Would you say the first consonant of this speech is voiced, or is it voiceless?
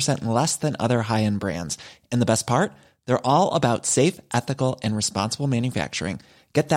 voiceless